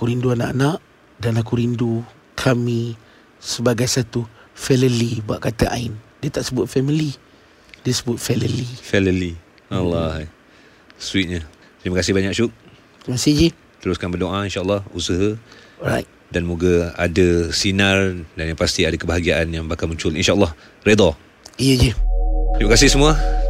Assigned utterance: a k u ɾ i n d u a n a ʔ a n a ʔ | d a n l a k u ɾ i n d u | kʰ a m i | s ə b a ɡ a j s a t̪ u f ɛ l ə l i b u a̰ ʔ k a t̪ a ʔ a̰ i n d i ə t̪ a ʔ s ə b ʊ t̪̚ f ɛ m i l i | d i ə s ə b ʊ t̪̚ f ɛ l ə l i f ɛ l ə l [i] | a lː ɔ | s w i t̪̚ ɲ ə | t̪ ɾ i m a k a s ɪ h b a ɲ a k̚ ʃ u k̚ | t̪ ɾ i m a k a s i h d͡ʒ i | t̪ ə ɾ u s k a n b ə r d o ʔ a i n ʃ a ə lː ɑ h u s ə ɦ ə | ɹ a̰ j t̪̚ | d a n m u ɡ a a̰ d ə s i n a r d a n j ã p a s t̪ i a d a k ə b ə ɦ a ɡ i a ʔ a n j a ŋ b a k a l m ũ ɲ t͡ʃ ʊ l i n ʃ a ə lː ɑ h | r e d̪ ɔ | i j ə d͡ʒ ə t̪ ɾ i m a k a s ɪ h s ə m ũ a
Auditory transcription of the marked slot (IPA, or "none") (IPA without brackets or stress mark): i